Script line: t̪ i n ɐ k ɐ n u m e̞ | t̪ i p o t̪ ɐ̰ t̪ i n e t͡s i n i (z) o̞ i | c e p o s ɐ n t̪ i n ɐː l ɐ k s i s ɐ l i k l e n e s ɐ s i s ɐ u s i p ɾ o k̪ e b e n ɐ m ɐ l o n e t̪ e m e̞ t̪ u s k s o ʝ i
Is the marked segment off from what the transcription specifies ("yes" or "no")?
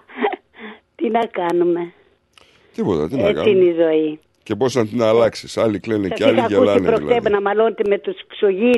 no